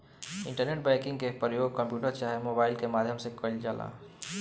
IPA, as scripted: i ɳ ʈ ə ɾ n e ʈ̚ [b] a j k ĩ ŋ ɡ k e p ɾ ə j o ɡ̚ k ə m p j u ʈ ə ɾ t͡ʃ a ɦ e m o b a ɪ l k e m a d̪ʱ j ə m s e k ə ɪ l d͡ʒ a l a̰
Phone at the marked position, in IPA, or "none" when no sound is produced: b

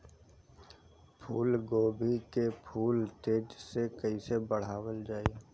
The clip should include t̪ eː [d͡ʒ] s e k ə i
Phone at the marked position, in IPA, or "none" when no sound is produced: d͡ʒ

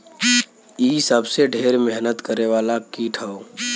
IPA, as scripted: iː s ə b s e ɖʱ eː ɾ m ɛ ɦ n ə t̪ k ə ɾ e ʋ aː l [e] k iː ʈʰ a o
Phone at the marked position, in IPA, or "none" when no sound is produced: a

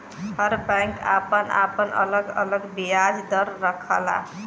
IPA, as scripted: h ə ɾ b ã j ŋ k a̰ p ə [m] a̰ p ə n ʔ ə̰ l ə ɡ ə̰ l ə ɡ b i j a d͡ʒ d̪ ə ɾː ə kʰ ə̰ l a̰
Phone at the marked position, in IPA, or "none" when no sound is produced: n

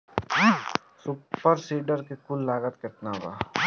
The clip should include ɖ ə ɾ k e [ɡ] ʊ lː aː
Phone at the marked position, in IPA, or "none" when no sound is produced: k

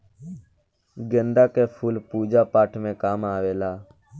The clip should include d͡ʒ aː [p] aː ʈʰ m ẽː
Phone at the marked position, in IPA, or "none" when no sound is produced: p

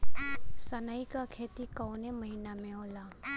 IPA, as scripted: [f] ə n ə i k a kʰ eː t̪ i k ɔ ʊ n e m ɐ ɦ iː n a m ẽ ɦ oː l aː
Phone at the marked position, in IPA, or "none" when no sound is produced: s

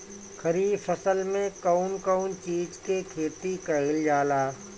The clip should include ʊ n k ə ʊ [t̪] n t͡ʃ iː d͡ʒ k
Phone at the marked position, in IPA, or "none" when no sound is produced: none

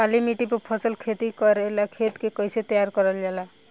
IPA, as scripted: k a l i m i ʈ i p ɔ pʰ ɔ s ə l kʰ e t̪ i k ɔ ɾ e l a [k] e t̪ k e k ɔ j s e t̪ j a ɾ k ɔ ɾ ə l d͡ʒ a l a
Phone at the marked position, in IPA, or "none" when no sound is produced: kʰ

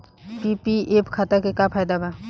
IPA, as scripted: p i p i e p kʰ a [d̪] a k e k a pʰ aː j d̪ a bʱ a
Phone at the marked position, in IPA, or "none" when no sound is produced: t̪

